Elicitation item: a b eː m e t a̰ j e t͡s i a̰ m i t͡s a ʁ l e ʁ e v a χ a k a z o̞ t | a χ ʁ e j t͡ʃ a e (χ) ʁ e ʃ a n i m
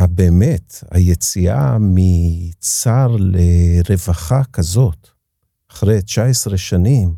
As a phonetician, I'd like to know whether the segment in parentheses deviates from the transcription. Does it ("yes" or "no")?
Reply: yes